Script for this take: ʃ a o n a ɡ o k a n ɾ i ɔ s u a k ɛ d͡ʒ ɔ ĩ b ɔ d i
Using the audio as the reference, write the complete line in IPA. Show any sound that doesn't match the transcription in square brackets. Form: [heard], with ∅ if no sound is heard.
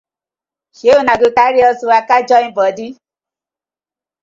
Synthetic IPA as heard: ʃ [e] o n a ɡ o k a [∅] ɾ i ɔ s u a k [a] d͡ʒ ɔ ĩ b ɔ d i

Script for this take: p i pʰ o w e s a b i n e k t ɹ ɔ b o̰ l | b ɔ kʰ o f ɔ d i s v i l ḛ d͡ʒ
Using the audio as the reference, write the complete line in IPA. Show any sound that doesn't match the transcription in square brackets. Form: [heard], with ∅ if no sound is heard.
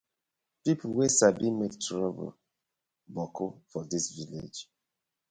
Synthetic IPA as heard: p i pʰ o w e s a b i [m] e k t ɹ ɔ b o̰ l | b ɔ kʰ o f ɔ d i s v i l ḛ d͡ʒ

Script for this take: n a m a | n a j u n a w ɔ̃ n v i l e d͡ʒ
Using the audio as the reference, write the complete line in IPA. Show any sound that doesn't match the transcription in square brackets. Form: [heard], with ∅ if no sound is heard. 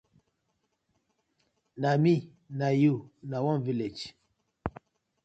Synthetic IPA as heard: n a m [i] | n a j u n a w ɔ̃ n v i l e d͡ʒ

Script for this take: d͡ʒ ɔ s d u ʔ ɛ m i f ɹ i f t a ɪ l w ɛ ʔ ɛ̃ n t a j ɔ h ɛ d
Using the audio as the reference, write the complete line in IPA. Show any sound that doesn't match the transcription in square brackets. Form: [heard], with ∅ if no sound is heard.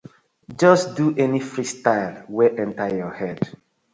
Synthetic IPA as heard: d͡ʒ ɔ s d u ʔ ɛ [n] i f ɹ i [s] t a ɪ l w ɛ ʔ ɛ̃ n t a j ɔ h ɛ d

